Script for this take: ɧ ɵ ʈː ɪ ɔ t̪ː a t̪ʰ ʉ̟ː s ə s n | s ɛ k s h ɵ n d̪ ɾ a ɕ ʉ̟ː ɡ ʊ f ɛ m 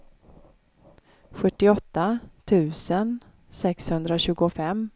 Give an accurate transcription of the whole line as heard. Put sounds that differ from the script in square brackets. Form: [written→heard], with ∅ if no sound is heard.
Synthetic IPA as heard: ɧ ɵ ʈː ɪ ɔ t̪ː a t̪ʰ ʉ̟ː s ə [s→∅] n | s ɛ k s h ɵ n d̪ ɾ a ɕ ʉ̟ː ɡ ʊ f ɛ m

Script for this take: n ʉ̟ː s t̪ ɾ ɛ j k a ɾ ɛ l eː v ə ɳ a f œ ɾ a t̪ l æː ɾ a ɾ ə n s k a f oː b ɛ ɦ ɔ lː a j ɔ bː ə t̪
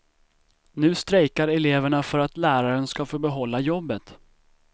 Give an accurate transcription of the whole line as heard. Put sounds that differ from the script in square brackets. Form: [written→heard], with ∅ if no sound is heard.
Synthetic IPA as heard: n ʉ̟ː s t̪ ɾ ɛ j k a ɾ ɛ l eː v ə ɳ a f œ ɾ a t̪ l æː ɾ a ɾ ə n s k a f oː b ɛ ɦ ɔ lː a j ɔ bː ə t̪

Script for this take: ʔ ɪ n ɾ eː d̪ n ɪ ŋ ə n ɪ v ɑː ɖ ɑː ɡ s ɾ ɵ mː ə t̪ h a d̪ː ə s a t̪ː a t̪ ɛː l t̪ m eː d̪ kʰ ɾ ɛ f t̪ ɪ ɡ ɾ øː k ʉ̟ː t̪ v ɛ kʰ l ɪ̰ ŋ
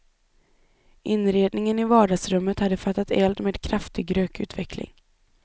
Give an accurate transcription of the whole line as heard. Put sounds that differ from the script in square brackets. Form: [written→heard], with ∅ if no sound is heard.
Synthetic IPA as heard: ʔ ɪ n ɾ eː d̪ n ɪ ŋ ə n ɪ v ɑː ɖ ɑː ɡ s ɾ ɵ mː ə t̪ h a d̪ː ə [s→f] a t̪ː a t̪ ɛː l [t̪→d̪] m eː d̪ kʰ ɾ [ɛ→a] f t̪ ɪ ɡ ɾ øː k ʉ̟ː t̪ v ɛ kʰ l ɪ̰ ŋ

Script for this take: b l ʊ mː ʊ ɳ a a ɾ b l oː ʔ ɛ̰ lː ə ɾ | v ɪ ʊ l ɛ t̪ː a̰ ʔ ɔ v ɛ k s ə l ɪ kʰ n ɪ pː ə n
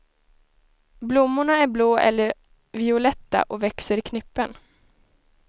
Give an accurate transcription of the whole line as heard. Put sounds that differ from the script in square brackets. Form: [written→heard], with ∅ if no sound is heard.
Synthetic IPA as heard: b l ʊ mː ʊ ɳ a [a→æ] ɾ b l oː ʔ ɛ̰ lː ə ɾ | v ɪ ʊ l ɛ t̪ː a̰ ʔ ɔ v ɛ k s ə [l→ɾ] ɪ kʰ n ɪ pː ə n

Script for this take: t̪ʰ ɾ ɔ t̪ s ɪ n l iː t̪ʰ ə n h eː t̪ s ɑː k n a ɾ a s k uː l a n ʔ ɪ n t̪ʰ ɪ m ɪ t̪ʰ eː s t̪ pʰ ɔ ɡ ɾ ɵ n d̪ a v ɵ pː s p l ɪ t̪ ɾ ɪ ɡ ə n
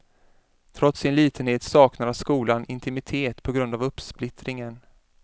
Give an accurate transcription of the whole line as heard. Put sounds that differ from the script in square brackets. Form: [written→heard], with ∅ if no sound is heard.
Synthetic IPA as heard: t̪ʰ ɾ ɔ t̪ s ɪ n l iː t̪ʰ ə n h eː t̪ s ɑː k n a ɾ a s k uː l a n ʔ ɪ n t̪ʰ ɪ m ɪ t̪ʰ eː [s→∅] t̪ pʰ ɔ ɡ ɾ ɵ n d̪ a v ɵ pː s p l ɪ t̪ ɾ ɪ [ɡ→ŋ] ə n

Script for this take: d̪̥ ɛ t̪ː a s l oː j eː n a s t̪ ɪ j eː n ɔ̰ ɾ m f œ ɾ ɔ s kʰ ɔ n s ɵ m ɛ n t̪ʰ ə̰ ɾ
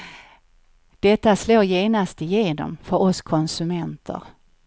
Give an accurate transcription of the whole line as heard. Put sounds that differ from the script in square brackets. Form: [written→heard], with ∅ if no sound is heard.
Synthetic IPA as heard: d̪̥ ɛ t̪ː a s l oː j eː n a s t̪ ɪ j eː n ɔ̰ [ɾ→∅] m f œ ɾ ɔ s kʰ ɔ n s ɵ m ɛ n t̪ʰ ə̰ ɾ

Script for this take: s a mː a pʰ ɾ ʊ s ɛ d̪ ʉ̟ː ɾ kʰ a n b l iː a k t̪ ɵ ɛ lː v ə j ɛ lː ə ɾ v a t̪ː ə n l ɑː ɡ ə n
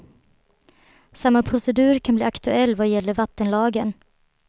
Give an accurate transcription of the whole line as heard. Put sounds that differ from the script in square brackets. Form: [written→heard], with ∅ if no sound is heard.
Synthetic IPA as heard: s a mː a pʰ ɾ ʊ s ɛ d̪ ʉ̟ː ɾ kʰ a n b l iː a k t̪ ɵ ɛ lː v [ə→a] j ɛ lː ə ɾ v a t̪ː ə n l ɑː ɡ ə n

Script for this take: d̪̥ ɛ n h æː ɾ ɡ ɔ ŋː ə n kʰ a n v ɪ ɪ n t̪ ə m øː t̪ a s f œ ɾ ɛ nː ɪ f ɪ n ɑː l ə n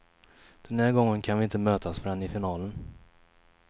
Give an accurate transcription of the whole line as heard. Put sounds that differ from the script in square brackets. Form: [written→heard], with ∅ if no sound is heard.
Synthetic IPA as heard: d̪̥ ɛ n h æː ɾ ɡ ɔ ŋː ə n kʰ a n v ɪ ɪ n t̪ ə m øː t̪ a s f œ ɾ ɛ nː ɪ f ɪ n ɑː l ə n

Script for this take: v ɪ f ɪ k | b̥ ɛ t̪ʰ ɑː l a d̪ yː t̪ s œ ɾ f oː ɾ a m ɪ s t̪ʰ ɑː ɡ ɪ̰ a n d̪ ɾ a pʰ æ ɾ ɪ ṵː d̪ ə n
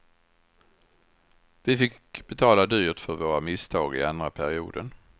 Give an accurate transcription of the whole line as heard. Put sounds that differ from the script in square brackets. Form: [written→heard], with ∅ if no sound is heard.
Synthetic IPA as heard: v ɪ f ɪ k | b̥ ɛ t̪ʰ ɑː l a d̪ yː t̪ [s→f] œ ɾ [f→v] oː ɾ a m ɪ s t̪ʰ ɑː ɡ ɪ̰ a n d̪ ɾ a pʰ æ ɾ ɪ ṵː d̪ ə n

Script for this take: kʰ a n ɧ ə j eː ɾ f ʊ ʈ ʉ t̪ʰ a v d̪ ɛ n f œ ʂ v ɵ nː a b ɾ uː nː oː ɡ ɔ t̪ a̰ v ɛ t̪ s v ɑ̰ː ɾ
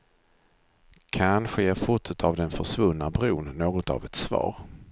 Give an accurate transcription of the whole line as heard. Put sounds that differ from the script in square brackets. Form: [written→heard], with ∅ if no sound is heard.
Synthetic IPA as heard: kʰ a n ɧ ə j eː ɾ f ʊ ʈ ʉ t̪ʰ a v d̪ ɛ n f œ ʂ v ɵ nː a b ɾ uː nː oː ɡ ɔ t̪ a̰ v ɛ t̪ s v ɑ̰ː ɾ

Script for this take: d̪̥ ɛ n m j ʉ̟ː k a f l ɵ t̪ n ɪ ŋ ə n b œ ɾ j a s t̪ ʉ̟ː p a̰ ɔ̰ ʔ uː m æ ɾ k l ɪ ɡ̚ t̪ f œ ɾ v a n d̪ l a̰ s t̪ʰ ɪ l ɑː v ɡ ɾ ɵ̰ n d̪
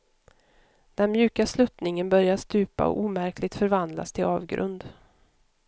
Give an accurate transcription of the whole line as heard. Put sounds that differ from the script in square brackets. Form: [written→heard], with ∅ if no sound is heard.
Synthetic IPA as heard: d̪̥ ɛ n m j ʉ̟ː k a [f→s] l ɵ t̪ n ɪ ŋ ə n b œ ɾ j a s t̪ ʉ̟ː p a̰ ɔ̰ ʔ uː m æ ɾ k l ɪ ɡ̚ t̪ f œ ɾ v a n d̪ l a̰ s t̪ʰ ɪ l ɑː v ɡ ɾ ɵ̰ n d̪

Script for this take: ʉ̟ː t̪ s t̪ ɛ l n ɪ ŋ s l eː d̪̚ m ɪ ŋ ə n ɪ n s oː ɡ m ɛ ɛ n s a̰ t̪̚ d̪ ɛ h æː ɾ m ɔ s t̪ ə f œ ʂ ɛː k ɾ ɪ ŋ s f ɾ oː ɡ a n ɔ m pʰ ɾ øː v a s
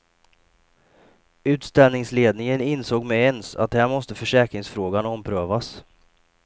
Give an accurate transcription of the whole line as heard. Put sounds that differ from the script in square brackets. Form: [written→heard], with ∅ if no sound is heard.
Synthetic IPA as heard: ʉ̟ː t̪ s t̪ ɛ l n ɪ ŋ s l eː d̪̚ [m→n] ɪ ŋ ə n ɪ n s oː ɡ m ɛ ɛ n s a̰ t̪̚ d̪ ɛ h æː ɾ m ɔ s t̪ ə f œ ʂ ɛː k ɾ ɪ ŋ s f ɾ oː ɡ a n ɔ m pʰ ɾ øː v a s

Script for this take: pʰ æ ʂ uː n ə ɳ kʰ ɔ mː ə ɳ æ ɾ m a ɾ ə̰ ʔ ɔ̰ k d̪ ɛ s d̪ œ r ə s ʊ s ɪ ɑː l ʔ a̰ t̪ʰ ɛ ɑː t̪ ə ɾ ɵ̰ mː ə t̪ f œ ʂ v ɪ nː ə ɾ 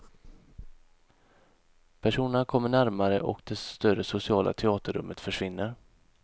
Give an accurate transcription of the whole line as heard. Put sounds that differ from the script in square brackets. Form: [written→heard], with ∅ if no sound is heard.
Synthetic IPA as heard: pʰ æ ʂ uː n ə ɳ kʰ ɔ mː ə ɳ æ ɾ m a ɾ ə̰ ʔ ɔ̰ k d̪ ɛ s [d̪→t̪] œ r ə s ʊ s ɪ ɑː l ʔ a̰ t̪ʰ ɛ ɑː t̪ ə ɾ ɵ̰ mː ə t̪ f œ ʂ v ɪ nː ə ɾ

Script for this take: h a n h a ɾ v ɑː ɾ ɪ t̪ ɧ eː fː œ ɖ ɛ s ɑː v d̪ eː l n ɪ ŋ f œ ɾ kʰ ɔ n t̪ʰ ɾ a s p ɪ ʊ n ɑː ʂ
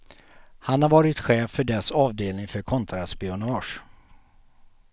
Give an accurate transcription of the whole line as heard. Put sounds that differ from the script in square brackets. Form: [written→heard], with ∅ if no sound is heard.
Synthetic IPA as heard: h a n h a ɾ v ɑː ɾ ɪ t̪ ɧ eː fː œ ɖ ɛ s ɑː v d̪ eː l n ɪ ŋ f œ ɾ kʰ ɔ n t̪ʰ ɾ a s p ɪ ʊ n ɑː ʂ

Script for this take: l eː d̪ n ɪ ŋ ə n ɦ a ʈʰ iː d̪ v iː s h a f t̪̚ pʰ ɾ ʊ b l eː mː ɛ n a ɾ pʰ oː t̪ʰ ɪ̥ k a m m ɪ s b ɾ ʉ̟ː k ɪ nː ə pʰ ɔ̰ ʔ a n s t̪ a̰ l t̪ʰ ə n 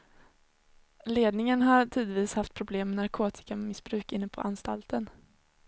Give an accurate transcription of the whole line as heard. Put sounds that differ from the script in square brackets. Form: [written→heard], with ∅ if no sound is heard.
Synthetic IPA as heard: l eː d̪ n ɪ ŋ ə n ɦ a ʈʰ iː d̪ v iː s h a f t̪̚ pʰ ɾ ʊ b l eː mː ɛ n a ɾ [pʰ→kʰ] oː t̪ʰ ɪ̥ k a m m ɪ s b ɾ ʉ̟ː k ɪ nː ə pʰ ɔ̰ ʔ a n s t̪ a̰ l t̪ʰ ə n

